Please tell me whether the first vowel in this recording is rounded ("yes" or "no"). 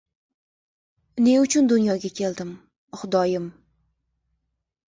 no